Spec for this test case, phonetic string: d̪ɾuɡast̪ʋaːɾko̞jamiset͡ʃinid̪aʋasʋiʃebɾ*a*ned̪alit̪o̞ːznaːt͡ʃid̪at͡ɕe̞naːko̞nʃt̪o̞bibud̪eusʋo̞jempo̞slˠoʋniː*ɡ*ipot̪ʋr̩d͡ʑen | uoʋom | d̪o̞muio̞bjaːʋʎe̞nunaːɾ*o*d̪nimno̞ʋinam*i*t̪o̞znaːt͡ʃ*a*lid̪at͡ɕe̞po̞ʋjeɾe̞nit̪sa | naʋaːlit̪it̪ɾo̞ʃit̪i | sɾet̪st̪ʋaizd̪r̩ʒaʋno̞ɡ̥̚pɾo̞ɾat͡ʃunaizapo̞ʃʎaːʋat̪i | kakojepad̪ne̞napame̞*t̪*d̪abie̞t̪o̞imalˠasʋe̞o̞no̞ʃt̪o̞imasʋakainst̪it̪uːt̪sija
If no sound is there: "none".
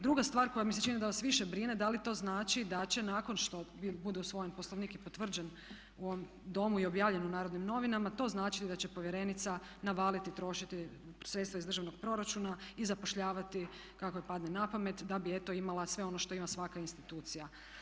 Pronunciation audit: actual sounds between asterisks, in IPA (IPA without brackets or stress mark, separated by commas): i, k, o, a, i, t̪